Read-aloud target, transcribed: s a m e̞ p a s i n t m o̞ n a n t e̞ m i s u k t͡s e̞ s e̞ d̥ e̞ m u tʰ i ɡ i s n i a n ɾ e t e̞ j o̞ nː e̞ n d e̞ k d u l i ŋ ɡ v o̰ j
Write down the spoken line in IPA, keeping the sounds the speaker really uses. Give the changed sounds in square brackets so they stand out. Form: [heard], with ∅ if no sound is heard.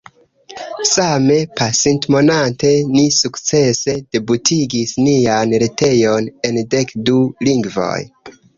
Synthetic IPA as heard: s a m e̞ p a s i n t m o̞ n a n t e̞ [n] i s u k t͡s e̞ s e̞ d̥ e̞ [b] u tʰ i ɡ i s n i a n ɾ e t e̞ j o̞ [n] e̞ n d e̞ k d u l i ŋ ɡ v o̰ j